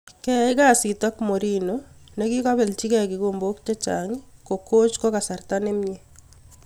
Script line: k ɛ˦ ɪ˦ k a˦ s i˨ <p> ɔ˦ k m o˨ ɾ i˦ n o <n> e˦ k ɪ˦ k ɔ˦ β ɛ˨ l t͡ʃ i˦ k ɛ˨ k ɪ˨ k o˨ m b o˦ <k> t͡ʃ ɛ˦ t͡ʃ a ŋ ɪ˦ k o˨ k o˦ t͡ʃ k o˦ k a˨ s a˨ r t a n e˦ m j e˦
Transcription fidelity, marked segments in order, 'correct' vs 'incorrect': incorrect, correct, correct

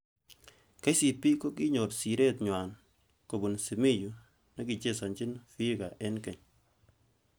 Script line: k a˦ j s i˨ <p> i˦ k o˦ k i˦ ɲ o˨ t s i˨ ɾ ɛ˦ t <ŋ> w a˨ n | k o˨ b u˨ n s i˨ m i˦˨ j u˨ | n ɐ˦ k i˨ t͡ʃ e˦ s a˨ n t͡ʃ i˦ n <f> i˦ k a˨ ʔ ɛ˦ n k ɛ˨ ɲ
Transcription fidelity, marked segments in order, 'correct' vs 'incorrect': correct, incorrect, correct

